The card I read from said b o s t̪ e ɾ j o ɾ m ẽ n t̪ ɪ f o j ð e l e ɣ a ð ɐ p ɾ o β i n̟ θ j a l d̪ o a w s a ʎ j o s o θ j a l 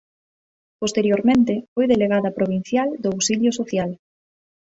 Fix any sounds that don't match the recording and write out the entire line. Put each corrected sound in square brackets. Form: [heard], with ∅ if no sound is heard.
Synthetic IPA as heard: [p] o s t̪ e ɾ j o ɾ m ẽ n t̪ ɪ f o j ð e l e ɣ a ð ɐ p ɾ o β i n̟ θ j a l d̪ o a w s [i] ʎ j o s o θ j a l